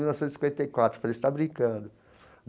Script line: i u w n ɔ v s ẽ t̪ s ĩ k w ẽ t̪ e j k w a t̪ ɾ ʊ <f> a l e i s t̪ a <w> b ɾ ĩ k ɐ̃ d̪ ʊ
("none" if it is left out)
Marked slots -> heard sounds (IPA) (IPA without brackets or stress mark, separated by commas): f, none